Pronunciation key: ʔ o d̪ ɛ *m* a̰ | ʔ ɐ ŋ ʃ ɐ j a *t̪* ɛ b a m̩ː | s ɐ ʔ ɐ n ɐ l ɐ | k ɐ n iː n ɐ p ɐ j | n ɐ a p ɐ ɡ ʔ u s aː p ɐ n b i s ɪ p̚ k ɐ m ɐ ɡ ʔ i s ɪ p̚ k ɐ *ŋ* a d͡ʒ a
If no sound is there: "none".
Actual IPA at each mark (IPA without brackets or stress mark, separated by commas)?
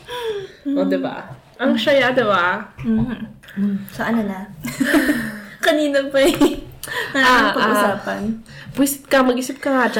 b, d̪, ŋ